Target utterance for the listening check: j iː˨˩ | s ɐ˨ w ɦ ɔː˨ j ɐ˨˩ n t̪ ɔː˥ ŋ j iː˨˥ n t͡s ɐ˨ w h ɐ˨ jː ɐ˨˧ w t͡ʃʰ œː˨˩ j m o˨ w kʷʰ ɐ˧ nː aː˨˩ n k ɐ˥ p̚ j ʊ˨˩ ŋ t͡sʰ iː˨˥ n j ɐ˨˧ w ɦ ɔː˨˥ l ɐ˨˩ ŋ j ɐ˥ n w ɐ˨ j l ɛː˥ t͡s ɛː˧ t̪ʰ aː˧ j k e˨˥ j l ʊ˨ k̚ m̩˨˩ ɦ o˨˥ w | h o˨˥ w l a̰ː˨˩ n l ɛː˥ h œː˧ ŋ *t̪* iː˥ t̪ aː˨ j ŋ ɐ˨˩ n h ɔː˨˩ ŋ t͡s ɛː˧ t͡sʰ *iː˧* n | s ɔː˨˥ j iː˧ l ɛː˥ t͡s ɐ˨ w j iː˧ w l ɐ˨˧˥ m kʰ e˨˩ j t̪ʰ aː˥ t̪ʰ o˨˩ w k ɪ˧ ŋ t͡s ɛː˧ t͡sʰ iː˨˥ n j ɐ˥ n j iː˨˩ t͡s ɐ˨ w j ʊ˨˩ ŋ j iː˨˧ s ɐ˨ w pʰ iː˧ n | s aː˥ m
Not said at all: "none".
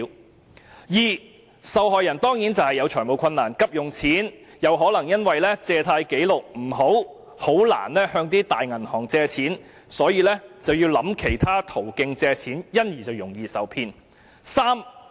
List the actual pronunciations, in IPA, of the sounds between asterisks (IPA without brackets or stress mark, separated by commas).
t̪, iː˨˥